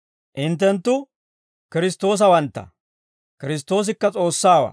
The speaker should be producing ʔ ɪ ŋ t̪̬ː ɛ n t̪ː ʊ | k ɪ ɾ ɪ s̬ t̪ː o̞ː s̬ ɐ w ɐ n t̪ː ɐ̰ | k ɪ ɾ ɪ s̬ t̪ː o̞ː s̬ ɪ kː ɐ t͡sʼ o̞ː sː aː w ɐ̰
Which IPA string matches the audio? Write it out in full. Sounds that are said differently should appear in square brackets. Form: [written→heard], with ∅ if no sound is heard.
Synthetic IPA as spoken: ʔ ɪ [ŋ→n] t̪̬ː ɛ n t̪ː ʊ | k ɪ ɾ ɪ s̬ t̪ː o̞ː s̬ ɐ w ɐ n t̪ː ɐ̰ | k ɪ ɾ ɪ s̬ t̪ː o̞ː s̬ ɪ kː ɐ t͡sʼ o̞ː sː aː w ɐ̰